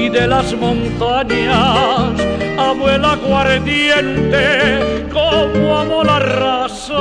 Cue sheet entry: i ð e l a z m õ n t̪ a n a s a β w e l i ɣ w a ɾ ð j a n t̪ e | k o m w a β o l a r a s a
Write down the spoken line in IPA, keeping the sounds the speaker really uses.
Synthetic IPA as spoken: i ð e l a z m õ n t̪ a ɲ a s a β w e l a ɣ w a ɾ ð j e n t̪ e | k o m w a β o l a r a s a